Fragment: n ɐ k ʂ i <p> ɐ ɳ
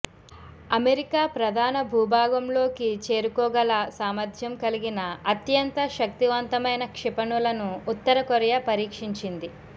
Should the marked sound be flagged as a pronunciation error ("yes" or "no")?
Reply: no